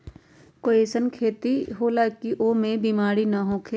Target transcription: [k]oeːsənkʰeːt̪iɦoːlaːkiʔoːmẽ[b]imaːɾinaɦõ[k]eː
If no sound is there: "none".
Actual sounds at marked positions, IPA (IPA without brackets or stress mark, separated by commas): k, b, kʰ